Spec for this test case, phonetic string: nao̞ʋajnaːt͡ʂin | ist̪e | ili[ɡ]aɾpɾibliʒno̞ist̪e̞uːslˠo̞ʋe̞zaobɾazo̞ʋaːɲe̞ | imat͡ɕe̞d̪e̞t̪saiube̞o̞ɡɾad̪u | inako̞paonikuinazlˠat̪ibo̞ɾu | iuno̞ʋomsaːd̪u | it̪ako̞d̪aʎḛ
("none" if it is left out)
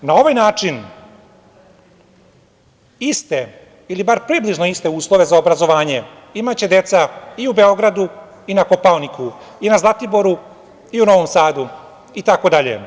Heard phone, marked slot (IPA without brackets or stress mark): b